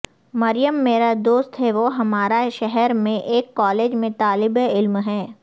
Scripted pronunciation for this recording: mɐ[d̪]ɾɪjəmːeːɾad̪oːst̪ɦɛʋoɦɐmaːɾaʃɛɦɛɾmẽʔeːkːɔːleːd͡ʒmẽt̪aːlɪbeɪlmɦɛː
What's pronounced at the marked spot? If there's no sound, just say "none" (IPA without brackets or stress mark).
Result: none